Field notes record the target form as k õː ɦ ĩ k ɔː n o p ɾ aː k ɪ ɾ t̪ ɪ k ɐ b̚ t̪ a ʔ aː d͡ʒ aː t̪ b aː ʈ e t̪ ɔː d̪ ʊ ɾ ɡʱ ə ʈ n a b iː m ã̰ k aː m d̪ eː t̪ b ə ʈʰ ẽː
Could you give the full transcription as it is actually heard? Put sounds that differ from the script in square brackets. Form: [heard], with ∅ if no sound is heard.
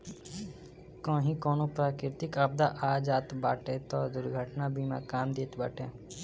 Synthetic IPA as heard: k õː ɦ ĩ k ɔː n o p ɾ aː k ɪ ɾ t̪ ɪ k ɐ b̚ [d̪] a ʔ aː d͡ʒ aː t̪ b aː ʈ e t̪ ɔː d̪ ʊ ɾ ɡʱ ə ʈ n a b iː m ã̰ k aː m d̪ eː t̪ b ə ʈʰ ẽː